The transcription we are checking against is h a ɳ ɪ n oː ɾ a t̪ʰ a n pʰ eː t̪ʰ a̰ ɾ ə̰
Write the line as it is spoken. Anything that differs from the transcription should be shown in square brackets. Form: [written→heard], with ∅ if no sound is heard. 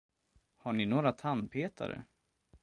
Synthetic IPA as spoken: h a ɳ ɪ n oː ɾ a t̪ʰ a n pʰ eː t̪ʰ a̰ ɾ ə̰